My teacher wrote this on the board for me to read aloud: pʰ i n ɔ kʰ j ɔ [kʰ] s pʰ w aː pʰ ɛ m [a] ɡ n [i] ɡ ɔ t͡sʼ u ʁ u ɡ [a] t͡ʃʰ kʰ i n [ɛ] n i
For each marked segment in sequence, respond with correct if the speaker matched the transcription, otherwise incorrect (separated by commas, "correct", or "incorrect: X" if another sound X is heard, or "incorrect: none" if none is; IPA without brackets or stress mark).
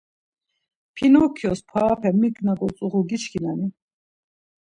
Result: incorrect: none, incorrect: i, incorrect: a, incorrect: i, incorrect: a